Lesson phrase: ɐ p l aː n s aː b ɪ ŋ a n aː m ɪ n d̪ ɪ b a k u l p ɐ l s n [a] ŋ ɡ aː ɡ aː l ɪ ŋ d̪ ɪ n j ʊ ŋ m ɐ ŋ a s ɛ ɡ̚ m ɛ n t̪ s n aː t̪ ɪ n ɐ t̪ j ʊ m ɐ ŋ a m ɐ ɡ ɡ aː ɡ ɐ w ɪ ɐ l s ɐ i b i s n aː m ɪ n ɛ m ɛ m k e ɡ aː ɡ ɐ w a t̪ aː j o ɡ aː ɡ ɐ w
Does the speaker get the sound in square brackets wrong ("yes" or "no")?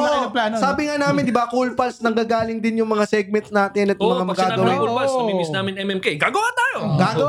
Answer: yes